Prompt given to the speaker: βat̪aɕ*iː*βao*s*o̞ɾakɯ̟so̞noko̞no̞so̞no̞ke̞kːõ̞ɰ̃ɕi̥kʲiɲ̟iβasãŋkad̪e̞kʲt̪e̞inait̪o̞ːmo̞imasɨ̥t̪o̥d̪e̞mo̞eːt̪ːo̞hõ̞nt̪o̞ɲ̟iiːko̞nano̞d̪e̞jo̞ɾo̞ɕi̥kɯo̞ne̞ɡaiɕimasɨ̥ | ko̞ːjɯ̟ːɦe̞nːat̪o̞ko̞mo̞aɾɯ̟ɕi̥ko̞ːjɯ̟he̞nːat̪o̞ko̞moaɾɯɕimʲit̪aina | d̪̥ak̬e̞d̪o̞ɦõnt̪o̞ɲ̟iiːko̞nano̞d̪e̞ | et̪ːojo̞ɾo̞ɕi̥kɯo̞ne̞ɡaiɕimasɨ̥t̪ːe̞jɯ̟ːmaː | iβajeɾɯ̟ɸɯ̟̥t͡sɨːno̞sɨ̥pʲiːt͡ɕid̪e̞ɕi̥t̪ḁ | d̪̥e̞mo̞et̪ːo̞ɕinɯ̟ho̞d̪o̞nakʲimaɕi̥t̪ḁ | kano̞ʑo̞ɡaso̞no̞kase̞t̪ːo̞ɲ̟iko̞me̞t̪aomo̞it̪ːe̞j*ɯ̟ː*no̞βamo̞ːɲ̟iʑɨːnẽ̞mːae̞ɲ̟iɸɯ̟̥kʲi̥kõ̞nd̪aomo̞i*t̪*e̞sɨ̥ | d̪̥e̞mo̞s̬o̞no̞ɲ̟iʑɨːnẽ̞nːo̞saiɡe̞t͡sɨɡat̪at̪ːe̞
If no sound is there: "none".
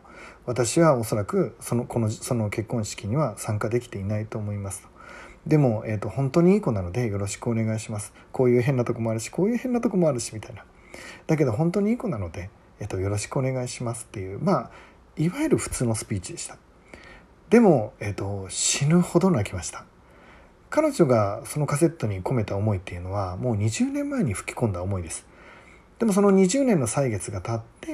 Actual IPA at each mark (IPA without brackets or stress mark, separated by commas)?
i, s, ɯ̟, d̪